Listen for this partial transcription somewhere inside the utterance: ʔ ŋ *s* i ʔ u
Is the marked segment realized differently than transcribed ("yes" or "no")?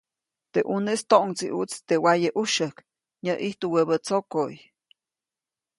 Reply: yes